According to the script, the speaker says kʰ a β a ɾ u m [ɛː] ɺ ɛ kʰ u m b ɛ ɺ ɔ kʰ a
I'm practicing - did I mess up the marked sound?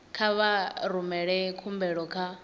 yes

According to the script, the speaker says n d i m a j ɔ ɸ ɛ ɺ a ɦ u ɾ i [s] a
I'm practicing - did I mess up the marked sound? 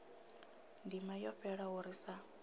no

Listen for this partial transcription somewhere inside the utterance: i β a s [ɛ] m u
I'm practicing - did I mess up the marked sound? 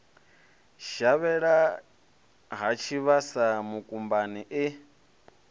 yes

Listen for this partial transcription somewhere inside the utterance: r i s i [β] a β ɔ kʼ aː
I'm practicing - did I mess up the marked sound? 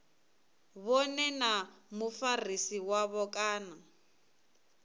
yes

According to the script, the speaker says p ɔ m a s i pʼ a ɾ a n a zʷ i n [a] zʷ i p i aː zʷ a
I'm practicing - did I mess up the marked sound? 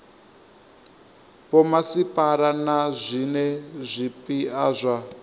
yes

